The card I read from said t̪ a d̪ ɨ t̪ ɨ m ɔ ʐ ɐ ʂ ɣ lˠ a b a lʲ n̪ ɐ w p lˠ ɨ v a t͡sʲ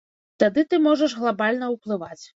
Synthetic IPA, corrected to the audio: t̪ a d̪ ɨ t̪ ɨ m ɔ ʐ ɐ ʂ ɣ lˠ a b a lʲ n̪ ɐ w p lˠ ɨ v a t͡sʲ